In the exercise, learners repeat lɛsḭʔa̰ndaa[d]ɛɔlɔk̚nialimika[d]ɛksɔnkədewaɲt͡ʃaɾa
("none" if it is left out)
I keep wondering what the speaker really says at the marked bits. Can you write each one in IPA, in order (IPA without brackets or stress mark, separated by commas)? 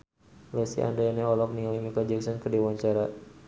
n, d͡ʒ